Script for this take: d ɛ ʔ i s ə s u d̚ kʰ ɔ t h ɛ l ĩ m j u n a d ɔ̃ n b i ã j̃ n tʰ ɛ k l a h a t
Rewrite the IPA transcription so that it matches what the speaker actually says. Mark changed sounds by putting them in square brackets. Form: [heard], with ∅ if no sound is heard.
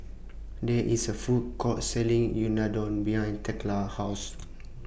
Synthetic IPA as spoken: d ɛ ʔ i s ə [f] u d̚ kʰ ɔ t [s] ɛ l ĩ [ŋ] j u n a d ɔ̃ n b i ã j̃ n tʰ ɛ k l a h a [s]